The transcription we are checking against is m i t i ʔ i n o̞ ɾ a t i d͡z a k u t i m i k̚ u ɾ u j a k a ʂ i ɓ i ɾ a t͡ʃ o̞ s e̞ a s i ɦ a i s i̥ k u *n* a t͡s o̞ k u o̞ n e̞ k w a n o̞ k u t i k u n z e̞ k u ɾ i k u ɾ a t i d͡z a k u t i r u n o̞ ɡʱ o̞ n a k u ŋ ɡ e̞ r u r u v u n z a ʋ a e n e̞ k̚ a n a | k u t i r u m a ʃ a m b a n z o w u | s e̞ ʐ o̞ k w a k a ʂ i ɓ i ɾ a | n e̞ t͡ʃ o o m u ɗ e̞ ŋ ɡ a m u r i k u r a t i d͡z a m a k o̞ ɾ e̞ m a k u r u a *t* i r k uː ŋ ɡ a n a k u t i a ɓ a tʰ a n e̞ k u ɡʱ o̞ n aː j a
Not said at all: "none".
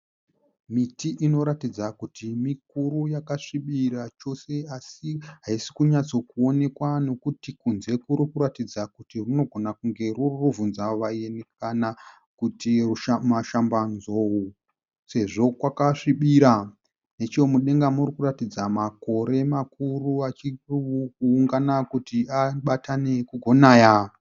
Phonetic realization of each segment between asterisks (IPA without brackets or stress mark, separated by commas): ɲ, t͡ʃ